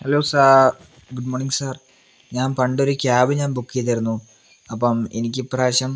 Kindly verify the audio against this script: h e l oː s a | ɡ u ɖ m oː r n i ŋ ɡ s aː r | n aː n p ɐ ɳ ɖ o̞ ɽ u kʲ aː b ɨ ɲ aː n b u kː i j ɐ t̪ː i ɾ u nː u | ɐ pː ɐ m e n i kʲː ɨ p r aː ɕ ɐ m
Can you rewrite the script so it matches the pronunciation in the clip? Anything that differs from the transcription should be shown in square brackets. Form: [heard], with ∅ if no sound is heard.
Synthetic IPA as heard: h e l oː s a | ɡ u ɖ m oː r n i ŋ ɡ s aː r | [ɲ] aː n p ɐ ɳ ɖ o̞ [ɾ] u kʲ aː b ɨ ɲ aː n b u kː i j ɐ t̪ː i ɾ u nː u | ɐ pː ɐ m e n i kʲː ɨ p r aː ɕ ɐ m